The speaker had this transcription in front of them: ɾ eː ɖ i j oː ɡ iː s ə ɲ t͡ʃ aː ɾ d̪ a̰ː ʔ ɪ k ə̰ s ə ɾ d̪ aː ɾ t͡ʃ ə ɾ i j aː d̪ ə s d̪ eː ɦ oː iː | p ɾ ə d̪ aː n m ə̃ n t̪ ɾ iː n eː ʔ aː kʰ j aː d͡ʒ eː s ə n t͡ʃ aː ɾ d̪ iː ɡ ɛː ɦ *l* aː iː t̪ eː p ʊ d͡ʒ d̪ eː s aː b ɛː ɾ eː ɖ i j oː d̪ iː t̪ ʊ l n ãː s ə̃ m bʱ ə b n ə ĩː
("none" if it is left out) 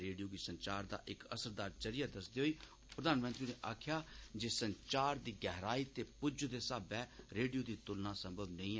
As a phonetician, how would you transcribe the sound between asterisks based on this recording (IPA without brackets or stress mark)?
ɾ